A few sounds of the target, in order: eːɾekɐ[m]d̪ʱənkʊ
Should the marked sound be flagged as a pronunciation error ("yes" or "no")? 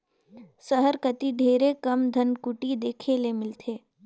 no